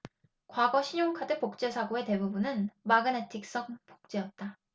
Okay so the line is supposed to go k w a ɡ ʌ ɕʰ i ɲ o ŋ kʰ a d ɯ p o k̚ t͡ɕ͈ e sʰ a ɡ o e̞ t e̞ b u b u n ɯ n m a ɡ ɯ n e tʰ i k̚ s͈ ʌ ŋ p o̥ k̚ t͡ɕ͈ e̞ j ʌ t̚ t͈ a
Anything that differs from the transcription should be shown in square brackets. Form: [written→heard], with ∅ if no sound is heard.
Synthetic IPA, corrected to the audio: k w a ɡ ʌ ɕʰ i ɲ o ŋ kʰ a d ɯ p o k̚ t͡ɕ͈ e sʰ a ɡ o e̞ t e̞ b u b u n ɯ n m a ɡ ɯ n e tʰ i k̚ s͈ ʌ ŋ p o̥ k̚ t͡ɕ͈ e̞ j ʌ t̚ t͈ a